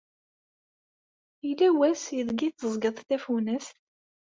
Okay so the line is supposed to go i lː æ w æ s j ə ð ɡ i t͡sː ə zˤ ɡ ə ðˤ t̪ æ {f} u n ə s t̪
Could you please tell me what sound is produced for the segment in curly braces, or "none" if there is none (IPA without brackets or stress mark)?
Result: f